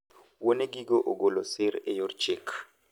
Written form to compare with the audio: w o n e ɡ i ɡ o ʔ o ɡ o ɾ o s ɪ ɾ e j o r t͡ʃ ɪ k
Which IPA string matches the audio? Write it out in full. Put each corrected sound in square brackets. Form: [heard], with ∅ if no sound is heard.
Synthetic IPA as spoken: w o n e ɡ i ɡ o ʔ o ɡ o [l] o s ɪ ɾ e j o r t͡ʃ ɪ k